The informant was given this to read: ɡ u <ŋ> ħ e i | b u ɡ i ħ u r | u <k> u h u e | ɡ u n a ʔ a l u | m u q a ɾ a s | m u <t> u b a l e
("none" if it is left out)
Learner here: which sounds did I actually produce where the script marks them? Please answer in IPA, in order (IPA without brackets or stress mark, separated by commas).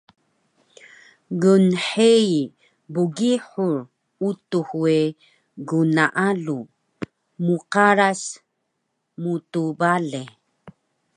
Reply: n, t, t